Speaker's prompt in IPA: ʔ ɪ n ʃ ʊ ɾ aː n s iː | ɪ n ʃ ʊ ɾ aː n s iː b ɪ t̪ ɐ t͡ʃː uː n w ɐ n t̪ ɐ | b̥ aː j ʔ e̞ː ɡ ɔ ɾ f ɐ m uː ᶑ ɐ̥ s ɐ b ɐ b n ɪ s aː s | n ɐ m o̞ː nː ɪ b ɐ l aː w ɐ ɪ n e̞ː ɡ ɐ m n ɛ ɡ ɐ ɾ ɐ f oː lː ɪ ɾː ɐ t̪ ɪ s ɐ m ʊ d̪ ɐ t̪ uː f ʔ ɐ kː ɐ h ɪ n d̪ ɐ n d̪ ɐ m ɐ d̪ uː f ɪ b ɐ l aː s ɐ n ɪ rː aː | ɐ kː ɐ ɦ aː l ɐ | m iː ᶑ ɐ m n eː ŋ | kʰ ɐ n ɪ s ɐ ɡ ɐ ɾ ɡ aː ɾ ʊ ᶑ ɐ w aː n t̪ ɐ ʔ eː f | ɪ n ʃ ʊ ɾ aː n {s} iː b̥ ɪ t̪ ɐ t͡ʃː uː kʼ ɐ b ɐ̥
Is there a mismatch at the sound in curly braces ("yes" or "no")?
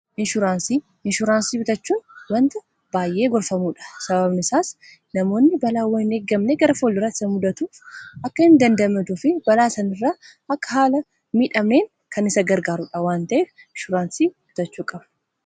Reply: no